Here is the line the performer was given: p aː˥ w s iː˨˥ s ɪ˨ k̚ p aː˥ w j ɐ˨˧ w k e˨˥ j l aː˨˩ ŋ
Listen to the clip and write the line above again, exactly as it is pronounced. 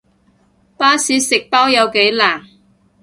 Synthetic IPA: p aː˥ s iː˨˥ s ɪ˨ k̚ p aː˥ w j ɐ˨˧ w k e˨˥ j l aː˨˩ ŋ

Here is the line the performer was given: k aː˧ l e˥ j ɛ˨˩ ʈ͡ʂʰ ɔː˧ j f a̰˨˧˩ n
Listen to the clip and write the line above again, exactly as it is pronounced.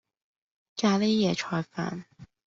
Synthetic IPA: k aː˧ l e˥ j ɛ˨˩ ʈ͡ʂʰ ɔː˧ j f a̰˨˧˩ n

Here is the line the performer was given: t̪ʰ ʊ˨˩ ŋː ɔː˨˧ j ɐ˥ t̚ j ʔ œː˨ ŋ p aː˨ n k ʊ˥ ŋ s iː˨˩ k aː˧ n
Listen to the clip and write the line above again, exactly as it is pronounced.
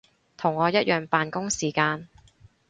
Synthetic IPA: t̪ʰ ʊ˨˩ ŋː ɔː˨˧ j ɐ˥ t̚ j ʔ œː˨ ŋ p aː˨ n k ʊ˥ ŋ s iː˨˩ k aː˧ n

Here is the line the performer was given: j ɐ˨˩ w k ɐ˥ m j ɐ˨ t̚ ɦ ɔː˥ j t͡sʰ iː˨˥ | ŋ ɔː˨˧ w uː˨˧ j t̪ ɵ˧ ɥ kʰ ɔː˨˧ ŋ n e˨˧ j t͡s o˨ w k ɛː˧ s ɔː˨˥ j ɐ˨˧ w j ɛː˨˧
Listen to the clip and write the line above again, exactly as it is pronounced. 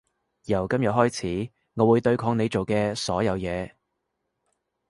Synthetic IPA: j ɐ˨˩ w k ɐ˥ m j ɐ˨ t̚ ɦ ɔː˥ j t͡sʰ iː˨˥ | ŋ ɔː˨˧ w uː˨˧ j t̪ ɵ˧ ɥ kʰ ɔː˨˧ ŋ n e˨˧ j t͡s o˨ w k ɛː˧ s ɔː˨˥ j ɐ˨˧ w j ɛː˨˧

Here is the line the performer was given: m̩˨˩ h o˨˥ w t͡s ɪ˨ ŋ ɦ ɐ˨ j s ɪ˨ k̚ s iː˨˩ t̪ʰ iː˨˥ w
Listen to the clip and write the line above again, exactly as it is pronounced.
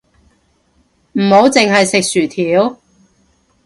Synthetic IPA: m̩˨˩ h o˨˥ w t͡s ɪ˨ ŋ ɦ ɐ˨ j s ɪ˨ k̚ s yː˨˩ t̪ʰ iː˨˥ w

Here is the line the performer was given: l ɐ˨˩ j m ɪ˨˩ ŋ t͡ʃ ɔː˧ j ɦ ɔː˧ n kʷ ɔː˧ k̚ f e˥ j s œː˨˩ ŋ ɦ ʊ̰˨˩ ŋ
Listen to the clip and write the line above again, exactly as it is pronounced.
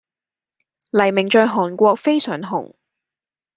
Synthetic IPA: l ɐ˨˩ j m ɪ˨˩ ŋ t͡ʃ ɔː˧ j ɦ ɔː˨˩ n kʷ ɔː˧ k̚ f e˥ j s œː˨˩ ŋ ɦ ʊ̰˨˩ ŋ

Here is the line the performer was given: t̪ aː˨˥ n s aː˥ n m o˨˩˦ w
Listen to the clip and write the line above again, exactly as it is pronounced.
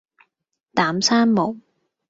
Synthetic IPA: t̪ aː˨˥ m s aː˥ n m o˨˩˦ w

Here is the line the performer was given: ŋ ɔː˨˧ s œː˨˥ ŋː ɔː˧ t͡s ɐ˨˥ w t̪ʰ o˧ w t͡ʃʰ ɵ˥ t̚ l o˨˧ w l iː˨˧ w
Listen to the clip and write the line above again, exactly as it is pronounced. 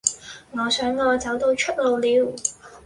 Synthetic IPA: ŋ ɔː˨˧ s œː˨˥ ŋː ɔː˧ t͡s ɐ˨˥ w t̪ o˧ w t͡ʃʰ ɵ˥ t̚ l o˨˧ w l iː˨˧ w

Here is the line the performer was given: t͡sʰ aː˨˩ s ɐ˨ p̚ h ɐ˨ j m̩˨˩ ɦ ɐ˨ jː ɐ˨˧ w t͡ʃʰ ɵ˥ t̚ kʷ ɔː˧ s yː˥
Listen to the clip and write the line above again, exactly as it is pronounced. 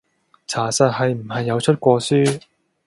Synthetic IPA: t͡sʰ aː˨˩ s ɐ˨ t̚ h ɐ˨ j m̩˨˩ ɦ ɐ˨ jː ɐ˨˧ w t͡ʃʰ ɵ˥ t̚ kʷ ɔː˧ s yː˥

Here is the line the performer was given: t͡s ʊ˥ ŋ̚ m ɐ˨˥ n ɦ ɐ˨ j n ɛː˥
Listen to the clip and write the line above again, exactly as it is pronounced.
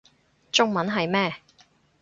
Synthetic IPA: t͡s ʊ˥ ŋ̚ m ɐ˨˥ n ɦ ɐ˨ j m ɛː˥

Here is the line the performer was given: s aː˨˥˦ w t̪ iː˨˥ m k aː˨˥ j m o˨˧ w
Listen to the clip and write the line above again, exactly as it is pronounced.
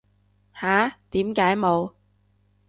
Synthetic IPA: h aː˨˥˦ t̪ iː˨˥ m k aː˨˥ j m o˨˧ w

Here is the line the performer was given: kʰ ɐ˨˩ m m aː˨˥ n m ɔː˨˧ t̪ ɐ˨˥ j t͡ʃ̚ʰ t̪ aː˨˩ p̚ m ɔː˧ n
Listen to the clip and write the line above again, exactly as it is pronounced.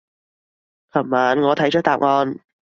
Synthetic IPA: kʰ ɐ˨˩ m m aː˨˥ n ŋ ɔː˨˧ t̪ʰ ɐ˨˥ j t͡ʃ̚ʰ t̪ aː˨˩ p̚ ŋ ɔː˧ n

